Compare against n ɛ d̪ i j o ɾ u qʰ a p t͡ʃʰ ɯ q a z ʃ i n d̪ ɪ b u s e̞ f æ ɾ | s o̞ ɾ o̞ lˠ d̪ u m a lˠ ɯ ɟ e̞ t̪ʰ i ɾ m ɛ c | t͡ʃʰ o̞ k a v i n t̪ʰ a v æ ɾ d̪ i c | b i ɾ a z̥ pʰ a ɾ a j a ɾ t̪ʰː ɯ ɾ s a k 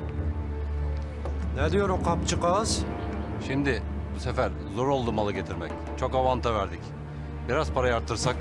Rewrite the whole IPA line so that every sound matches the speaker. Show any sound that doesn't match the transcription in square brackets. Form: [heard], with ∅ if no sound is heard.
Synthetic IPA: n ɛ d̪ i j o ɾ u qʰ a p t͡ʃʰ ɯ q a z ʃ i [m] d̪ ɪ b u s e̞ f æ ɾ | [z] o̞ ɾ o̞ lˠ d̪ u m a lˠ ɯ ɟ e̞ t̪ʰ i ɾ m ɛ c | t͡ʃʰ o̞ k a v [a] n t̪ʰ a v æ ɾ d̪ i c | b i ɾ a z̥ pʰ a ɾ a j a ɾ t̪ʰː ɯ ɾ s a k